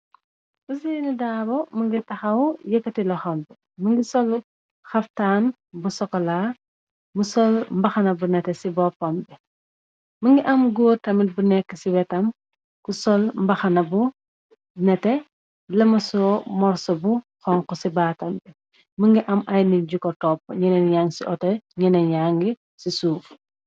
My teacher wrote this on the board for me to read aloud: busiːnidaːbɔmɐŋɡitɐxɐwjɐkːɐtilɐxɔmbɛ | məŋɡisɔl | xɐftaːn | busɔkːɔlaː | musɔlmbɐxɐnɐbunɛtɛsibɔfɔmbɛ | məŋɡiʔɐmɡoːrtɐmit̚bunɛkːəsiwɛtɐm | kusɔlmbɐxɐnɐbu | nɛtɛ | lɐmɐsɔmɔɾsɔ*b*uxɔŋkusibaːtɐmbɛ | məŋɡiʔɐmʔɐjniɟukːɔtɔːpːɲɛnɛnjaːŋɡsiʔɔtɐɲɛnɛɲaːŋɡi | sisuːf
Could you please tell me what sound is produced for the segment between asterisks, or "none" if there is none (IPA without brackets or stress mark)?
b